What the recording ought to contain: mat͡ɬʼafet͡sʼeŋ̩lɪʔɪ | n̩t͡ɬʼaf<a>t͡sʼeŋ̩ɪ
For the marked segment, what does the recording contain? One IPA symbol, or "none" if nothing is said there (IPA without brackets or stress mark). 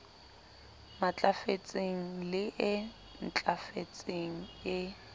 e